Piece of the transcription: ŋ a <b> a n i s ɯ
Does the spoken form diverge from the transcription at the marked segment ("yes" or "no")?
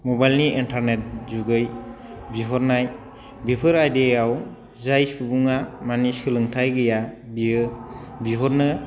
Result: yes